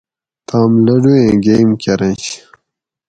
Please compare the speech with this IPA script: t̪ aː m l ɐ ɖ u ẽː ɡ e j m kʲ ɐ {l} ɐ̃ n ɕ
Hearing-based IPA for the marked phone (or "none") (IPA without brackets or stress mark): ɾ